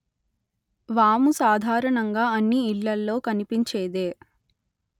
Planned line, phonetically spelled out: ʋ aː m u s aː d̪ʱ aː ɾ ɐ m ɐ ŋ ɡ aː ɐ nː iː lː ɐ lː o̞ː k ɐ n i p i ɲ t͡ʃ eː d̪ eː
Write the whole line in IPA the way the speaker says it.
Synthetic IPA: ʋ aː m u s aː d̪ʱ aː ɾ ɐ ɳ ɐ ŋ ɡ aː ɐ nː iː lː ɐ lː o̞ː k ɐ n i p i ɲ t͡ʃ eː d̪ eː